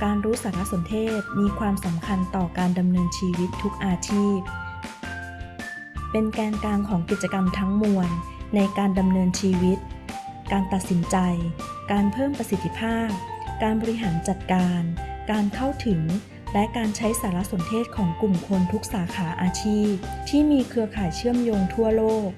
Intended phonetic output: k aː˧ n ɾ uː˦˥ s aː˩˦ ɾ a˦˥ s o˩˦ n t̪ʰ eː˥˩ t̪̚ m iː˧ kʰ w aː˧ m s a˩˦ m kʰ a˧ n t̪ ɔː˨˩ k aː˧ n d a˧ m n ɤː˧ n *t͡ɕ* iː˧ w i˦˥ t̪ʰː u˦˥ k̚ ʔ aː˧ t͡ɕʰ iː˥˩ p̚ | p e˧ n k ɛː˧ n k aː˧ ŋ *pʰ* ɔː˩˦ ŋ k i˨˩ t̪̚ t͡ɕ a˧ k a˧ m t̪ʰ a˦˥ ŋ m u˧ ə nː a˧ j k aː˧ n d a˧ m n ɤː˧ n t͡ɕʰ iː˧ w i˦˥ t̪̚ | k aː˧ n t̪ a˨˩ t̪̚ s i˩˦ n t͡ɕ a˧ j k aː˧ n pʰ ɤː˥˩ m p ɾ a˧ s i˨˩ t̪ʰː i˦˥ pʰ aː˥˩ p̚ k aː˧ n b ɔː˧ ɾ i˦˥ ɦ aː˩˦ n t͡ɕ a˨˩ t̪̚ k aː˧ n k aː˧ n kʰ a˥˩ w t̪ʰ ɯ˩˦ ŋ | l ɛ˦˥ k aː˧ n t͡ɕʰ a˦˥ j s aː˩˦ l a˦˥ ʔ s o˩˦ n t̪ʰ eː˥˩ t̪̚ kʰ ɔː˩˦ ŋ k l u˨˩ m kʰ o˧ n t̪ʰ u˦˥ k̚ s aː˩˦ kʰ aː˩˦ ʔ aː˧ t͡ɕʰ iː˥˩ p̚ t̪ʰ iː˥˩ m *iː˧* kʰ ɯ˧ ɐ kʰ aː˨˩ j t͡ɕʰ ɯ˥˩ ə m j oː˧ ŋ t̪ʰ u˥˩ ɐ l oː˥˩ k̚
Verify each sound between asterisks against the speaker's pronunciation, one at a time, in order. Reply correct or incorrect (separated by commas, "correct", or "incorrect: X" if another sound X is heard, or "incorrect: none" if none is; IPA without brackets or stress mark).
incorrect: t͡ɕʰ, incorrect: kʰ, correct